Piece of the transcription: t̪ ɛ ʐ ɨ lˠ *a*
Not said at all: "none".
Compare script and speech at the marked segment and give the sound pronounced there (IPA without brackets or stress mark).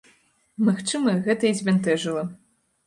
ɐ